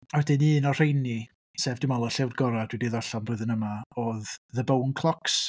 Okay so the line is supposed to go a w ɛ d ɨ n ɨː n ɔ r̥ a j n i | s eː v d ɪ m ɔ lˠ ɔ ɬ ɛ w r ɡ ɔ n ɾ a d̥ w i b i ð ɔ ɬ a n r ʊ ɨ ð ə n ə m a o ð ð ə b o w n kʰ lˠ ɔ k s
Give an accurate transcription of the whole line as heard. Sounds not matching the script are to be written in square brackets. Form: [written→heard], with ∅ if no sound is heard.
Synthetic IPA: a w ɛ d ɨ n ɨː n ɔ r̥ [a→e] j n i | s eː v d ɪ m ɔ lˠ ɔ ɬ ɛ w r ɡ ɔ [n→∅] ɾ a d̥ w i [b→d] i ð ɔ ɬ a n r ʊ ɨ ð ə n ə m a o ð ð ə b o w n kʰ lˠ ɔ k s